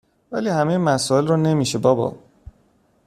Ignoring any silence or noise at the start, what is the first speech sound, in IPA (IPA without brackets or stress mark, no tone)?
v